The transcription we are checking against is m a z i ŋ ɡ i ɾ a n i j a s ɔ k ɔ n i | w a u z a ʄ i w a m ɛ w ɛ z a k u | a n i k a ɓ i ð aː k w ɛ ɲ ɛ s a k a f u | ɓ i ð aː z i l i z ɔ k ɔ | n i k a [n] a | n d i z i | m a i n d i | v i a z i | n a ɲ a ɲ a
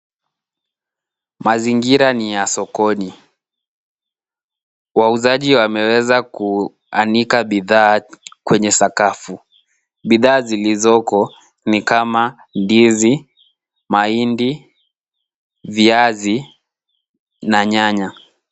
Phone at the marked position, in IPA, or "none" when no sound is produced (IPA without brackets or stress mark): m